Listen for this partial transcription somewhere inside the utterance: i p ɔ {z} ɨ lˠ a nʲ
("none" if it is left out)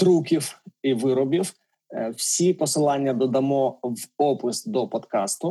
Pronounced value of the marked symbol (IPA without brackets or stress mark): s